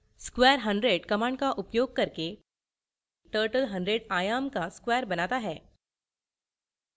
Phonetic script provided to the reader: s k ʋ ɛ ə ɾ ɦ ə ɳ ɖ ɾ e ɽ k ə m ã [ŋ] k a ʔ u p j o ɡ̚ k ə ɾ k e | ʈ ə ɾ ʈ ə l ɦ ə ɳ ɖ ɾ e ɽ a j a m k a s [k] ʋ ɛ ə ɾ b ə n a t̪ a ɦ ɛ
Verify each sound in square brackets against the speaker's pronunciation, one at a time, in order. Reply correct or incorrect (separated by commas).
incorrect, correct